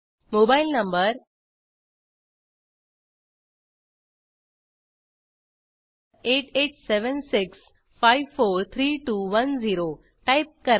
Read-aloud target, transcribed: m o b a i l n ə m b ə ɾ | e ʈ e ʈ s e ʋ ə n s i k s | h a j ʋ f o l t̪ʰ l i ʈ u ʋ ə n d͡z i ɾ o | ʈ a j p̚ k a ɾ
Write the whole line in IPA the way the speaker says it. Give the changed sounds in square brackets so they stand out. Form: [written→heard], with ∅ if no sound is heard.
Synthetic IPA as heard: m o b a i l n ə m b ə ɾ | e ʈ e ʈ s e ʋ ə n s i k s | [h→f] a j ʋ f o [l→ɾ] t̪ʰ [l→ɾ] i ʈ u ʋ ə n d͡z i ɾ o | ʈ a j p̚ k [a→ə] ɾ